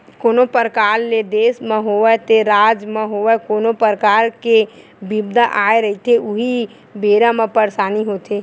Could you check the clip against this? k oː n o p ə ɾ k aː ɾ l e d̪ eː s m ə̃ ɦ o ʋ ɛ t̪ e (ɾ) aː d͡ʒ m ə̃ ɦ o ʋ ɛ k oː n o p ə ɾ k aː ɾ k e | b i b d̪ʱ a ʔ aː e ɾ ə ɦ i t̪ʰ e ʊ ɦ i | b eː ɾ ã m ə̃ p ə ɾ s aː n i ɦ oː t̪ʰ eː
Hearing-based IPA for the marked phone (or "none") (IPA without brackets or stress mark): ɾ